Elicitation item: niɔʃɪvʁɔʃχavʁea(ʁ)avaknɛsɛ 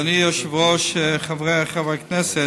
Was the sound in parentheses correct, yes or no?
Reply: no